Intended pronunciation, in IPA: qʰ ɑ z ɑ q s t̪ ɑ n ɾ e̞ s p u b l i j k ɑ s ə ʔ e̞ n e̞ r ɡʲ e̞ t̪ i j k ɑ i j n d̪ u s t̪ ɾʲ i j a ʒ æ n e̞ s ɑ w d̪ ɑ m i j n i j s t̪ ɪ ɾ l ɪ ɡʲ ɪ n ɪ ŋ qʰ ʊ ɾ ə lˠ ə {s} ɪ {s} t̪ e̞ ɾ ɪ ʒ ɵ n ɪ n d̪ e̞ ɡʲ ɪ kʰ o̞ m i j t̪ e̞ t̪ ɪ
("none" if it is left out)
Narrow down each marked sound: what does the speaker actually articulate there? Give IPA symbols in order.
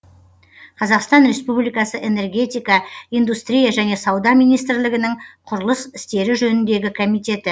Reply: s, s

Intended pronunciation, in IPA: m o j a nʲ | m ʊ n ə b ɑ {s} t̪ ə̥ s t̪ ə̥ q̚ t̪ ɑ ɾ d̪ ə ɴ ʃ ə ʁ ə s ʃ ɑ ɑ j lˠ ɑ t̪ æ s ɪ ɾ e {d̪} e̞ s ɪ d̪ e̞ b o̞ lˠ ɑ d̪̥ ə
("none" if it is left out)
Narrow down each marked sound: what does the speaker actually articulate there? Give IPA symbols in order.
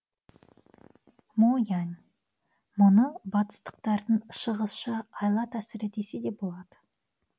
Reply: none, t̪

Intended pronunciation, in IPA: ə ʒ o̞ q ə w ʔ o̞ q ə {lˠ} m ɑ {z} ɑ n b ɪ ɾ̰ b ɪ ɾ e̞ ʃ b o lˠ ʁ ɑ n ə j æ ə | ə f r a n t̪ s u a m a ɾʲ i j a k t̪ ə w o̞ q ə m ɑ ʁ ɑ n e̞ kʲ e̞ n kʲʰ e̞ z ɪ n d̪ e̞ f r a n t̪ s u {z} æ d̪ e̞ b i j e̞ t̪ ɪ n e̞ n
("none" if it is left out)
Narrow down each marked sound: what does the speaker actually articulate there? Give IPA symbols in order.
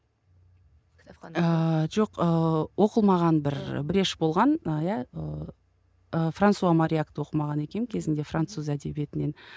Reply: lˠ, ʁ, z

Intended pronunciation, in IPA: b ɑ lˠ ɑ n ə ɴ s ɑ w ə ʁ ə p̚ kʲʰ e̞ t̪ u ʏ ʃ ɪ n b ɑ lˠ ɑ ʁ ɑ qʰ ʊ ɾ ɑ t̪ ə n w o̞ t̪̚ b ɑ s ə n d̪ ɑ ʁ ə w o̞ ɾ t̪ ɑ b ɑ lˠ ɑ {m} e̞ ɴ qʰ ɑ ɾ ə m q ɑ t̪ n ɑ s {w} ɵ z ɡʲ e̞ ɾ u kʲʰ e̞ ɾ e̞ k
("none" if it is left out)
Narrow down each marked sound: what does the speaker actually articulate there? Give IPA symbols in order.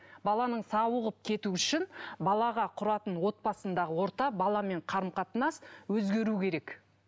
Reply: m, w

